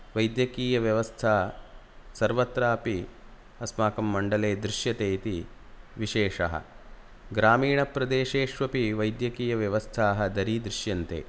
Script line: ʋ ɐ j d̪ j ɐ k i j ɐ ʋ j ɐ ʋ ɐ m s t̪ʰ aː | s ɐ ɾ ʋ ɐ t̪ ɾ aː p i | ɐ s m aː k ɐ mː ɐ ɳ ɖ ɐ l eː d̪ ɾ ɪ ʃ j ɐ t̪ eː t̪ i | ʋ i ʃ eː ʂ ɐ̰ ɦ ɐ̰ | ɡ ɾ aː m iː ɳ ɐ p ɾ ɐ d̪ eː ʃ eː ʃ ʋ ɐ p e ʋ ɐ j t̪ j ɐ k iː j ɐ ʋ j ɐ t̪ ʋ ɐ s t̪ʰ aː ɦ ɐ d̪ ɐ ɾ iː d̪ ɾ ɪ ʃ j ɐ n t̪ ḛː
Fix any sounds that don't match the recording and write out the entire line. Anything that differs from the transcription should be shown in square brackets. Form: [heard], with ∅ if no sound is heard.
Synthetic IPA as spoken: ʋ ɐ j d̪ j ɐ k [iː] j ɐ ʋ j ɐ ʋ ɐ [∅] s t̪ʰ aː | s ɐ ɾ ʋ ɐ t̪ ɾ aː p i | ɐ s m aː k ɐ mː ɐ ɳ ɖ ɐ l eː d̪ ɾ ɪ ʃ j ɐ t̪ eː t̪ i | ʋ i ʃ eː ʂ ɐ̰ ɦ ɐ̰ | ɡ ɾ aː m iː ɳ ɐ p ɾ ɐ d̪ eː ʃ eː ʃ ʋ ɐ p [i] ʋ ɐ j [d̪] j ɐ k iː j ɐ ʋ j ɐ [∅] ʋ ɐ s t̪ʰ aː ɦ ɐ d̪ ɐ ɾ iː d̪ ɾ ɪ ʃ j ɐ n t̪ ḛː